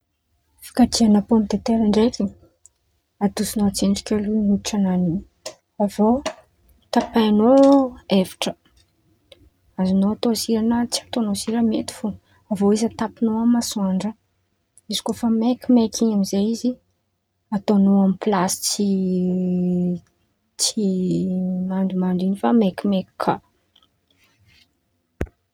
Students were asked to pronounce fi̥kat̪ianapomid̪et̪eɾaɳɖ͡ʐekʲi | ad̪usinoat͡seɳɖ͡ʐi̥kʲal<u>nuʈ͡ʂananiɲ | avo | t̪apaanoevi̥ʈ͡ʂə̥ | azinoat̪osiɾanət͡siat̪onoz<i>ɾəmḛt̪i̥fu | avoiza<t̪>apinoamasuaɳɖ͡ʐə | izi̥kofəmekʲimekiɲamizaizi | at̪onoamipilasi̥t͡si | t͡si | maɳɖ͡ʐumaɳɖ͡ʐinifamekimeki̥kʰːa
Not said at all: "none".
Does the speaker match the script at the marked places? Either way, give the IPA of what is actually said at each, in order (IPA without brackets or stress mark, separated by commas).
u, i, t̪